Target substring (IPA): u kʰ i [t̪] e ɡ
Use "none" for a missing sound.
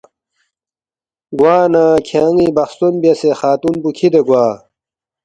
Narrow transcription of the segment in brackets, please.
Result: d̪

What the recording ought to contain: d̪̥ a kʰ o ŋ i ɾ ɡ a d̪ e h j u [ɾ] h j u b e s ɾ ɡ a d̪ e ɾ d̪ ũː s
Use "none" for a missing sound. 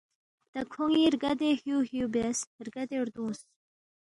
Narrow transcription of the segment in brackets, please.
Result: none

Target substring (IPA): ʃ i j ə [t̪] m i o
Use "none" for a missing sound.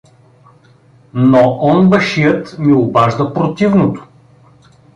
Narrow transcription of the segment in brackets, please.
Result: t̪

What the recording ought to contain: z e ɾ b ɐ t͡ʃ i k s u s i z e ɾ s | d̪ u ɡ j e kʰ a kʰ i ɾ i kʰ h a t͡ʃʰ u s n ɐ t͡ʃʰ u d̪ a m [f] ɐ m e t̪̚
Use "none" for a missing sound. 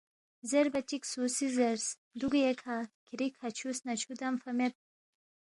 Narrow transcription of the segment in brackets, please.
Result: f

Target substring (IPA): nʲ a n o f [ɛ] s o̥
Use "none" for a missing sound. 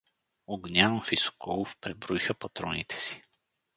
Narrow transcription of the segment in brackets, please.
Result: i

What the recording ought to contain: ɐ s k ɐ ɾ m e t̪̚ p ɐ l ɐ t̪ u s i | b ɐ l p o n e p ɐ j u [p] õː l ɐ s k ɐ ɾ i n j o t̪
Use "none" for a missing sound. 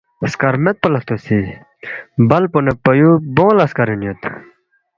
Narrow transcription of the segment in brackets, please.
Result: b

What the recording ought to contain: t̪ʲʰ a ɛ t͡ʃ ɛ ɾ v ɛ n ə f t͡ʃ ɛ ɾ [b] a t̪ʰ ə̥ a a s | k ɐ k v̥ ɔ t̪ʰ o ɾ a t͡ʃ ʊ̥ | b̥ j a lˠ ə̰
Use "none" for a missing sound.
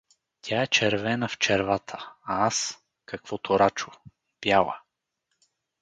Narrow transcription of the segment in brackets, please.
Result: v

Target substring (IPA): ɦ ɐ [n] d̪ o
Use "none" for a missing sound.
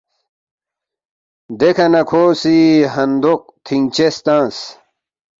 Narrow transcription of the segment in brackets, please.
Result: n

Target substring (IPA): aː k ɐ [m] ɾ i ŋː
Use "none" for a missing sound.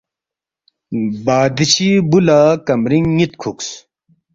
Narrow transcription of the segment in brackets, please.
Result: m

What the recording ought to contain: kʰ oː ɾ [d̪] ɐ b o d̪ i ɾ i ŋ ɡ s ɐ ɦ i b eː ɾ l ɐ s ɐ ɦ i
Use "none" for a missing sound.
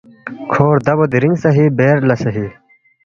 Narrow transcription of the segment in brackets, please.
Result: d̪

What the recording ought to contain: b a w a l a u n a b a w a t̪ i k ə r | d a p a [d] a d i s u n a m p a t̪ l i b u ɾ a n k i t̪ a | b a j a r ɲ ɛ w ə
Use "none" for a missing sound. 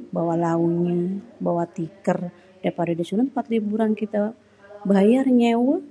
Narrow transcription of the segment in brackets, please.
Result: d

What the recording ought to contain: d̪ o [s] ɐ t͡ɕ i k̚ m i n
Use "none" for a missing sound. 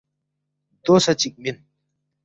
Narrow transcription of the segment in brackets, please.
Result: s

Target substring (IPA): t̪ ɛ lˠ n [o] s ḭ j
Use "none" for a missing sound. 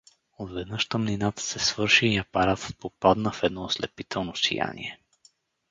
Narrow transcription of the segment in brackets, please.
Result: o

